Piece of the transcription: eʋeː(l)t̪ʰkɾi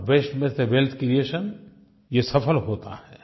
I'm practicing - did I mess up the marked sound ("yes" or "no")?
no